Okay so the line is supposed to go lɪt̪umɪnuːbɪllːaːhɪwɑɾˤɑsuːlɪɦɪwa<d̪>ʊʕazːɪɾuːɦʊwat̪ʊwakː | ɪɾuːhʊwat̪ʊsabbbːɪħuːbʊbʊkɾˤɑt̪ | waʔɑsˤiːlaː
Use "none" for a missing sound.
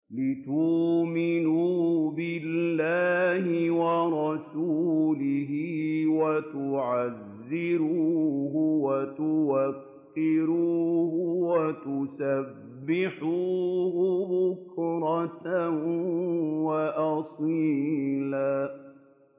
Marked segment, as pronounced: t̪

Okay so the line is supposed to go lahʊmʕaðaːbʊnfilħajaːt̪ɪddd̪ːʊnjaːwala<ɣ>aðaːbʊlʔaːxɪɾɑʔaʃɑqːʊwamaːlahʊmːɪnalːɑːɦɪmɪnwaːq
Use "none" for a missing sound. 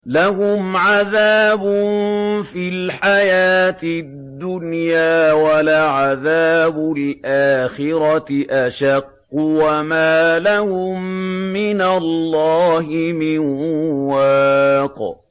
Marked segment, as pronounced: ʕ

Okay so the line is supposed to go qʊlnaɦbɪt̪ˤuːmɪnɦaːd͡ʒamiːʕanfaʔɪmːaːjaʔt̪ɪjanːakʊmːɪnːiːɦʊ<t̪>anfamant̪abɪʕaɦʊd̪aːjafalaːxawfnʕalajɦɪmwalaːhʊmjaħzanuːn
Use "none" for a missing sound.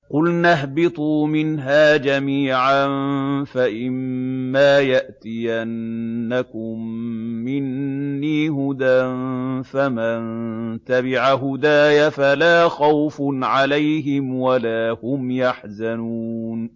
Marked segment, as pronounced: d̪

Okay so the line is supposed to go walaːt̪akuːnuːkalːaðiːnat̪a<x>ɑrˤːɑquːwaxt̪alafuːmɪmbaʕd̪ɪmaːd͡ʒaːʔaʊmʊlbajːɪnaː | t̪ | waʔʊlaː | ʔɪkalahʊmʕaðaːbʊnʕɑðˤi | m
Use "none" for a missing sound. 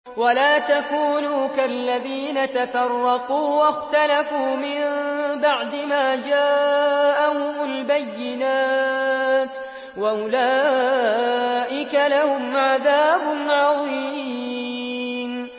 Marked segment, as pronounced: f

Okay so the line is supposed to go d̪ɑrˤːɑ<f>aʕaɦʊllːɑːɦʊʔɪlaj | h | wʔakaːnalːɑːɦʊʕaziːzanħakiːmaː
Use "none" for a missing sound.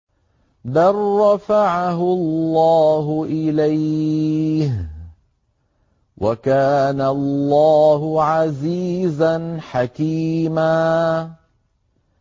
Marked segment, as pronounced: f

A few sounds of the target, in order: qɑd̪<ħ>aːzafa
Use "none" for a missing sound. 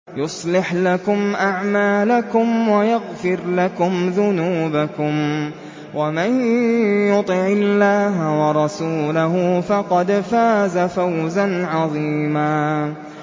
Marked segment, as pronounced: f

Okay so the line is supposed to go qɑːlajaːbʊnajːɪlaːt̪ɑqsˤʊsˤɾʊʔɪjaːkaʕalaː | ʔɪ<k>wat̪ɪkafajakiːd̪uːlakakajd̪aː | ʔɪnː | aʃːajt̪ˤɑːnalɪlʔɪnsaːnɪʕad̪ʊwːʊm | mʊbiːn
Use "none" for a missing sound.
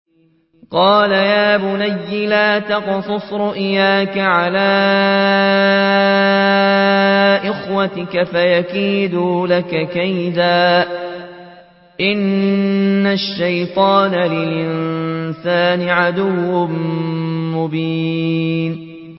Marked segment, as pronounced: x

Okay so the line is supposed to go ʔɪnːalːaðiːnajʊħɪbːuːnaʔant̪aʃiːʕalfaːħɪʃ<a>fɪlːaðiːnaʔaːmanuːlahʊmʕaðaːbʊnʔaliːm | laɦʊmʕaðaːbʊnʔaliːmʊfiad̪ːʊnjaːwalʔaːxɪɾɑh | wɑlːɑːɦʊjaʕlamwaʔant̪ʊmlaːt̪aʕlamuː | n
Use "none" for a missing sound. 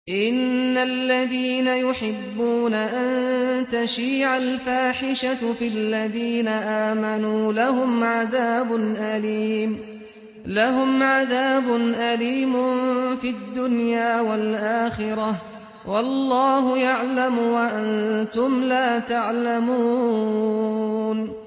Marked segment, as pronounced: a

